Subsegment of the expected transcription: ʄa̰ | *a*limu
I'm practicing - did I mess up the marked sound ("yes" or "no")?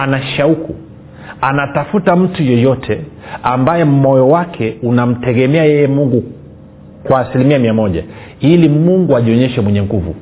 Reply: yes